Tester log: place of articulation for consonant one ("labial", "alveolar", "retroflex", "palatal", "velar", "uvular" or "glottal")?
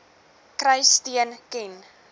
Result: velar